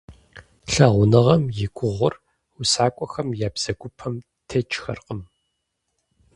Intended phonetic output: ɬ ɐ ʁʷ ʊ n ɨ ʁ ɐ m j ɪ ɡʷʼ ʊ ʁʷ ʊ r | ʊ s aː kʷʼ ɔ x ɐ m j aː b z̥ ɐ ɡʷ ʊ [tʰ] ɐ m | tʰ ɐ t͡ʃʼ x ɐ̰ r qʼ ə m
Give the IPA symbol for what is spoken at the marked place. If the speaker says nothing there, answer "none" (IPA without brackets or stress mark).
pʰ